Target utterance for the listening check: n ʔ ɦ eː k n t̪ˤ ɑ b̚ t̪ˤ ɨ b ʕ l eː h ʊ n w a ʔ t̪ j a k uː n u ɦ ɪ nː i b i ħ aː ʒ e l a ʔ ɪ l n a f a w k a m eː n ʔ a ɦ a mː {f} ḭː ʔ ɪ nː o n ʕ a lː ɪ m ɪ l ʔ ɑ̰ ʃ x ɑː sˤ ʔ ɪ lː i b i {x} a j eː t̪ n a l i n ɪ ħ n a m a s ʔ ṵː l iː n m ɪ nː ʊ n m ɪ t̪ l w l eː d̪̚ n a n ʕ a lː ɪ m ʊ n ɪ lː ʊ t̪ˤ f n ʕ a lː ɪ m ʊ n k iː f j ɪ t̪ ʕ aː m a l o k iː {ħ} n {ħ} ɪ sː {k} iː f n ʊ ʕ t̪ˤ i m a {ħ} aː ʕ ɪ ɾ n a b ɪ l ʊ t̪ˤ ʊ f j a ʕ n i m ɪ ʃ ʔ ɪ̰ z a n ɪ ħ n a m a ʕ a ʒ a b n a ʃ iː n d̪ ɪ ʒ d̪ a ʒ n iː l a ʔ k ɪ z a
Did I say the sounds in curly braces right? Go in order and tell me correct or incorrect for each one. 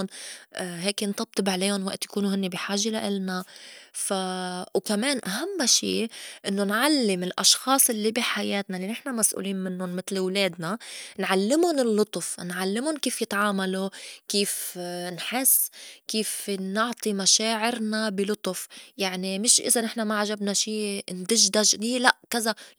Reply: incorrect: ʃ, incorrect: ħ, incorrect: f, correct, correct, incorrect: ʃ

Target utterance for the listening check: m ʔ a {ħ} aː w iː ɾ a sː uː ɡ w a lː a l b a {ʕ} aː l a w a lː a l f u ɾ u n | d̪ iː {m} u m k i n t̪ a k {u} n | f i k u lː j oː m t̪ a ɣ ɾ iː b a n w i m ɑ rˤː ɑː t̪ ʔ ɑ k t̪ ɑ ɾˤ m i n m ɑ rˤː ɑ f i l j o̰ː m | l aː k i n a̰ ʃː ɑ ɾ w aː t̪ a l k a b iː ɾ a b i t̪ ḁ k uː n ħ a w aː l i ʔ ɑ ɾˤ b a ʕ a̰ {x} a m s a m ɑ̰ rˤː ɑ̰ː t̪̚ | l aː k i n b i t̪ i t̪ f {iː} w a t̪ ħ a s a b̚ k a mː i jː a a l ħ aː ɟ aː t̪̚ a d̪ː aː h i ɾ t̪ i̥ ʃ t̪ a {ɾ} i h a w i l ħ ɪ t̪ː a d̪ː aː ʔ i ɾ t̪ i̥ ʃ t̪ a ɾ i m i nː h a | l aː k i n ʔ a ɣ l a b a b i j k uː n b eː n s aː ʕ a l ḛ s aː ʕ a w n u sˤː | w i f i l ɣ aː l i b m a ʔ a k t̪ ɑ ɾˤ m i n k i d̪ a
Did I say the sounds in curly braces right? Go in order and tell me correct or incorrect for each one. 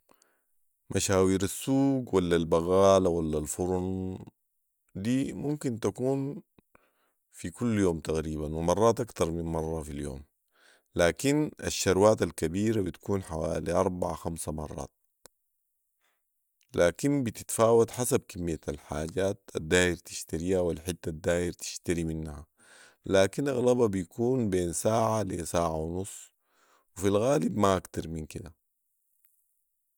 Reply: incorrect: ʃ, incorrect: ɣ, correct, incorrect: uː, correct, incorrect: aː, correct

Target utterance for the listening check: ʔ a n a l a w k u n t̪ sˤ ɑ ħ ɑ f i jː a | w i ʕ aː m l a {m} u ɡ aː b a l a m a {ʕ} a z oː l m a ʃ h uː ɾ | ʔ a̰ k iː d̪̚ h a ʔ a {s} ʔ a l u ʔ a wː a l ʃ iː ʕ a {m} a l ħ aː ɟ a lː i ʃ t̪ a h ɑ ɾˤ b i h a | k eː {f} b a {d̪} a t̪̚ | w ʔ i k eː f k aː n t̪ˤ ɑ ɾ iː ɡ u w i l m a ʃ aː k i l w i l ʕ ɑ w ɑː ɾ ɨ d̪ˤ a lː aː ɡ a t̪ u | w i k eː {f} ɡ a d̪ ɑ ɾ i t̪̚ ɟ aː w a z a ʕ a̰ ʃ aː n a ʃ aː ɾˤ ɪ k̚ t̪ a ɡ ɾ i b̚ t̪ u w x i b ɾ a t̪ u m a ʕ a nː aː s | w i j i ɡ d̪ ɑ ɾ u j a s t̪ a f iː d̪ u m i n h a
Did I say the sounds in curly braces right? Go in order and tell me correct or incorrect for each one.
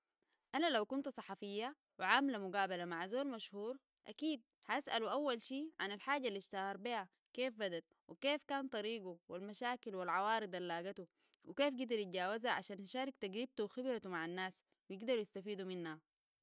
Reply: correct, correct, correct, incorrect: n, correct, correct, correct

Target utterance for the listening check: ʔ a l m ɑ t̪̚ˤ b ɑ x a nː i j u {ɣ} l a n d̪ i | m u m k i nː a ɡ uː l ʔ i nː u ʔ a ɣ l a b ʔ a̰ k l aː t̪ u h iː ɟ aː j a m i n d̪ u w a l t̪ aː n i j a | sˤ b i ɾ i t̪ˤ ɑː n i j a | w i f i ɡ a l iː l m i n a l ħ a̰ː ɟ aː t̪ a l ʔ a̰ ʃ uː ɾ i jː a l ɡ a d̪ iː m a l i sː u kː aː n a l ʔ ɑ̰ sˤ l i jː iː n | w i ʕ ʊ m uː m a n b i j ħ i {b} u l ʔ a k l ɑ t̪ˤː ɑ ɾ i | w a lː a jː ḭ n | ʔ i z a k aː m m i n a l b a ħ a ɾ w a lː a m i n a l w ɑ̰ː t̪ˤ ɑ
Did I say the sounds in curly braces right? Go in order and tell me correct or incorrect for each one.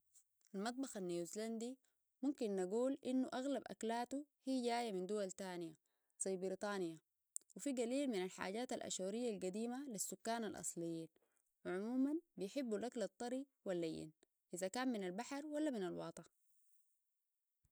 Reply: incorrect: z, incorrect: bː

